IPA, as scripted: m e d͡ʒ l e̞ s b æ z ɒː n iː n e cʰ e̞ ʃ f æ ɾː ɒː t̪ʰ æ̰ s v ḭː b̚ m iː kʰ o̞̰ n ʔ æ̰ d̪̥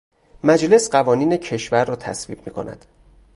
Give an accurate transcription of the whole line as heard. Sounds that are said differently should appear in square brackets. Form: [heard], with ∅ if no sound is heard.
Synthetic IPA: m [æ] d͡ʒ l e̞ s [ɢ] æ [v] ɒː n iː n e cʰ e̞ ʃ [v] æ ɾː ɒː t̪ʰ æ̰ s v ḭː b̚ m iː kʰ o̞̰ n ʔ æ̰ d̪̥